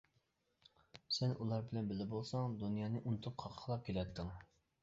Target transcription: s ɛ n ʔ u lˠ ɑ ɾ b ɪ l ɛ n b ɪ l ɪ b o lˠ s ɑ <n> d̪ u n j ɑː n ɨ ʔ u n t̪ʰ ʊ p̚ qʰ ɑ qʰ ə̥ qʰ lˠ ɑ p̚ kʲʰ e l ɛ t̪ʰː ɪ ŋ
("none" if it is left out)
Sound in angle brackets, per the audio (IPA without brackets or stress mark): ŋ